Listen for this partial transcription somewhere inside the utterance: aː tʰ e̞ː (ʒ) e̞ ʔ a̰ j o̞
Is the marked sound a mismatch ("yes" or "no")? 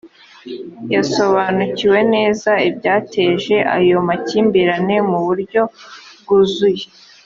no